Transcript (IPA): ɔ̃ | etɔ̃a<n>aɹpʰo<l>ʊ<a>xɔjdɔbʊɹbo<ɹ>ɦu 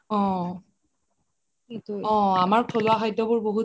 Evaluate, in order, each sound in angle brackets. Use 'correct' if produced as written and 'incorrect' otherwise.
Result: incorrect: m, correct, correct, incorrect: none

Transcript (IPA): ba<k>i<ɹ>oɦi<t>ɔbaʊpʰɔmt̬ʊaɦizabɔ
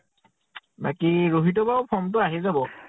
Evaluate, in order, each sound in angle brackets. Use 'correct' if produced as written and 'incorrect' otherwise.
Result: correct, correct, correct

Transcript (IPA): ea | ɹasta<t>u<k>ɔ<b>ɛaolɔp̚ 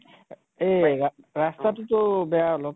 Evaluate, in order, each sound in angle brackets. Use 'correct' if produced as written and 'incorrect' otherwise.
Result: correct, incorrect: t, correct

